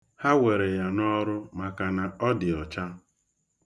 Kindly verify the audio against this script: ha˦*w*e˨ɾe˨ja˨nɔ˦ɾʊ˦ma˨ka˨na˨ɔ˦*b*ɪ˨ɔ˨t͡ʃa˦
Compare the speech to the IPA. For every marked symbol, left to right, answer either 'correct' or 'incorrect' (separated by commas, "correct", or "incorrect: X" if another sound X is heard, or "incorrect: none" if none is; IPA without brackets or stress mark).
correct, incorrect: d